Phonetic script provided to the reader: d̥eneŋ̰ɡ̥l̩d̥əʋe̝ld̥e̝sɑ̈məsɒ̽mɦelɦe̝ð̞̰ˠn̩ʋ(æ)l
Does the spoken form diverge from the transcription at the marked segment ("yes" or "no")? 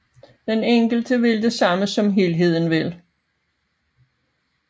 yes